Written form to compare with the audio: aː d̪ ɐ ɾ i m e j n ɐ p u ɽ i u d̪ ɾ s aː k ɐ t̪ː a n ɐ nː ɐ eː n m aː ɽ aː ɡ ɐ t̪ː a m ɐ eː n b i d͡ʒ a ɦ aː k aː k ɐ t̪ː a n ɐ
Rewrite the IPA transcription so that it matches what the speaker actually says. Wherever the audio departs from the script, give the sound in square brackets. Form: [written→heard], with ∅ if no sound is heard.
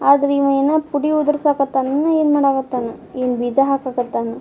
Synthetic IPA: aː d̪ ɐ ɾ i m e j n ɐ p u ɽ i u d̪ ɾ s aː k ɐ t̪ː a n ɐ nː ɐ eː n m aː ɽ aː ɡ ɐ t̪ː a [m→n] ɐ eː n b i d͡ʒ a ɦ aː k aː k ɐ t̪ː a n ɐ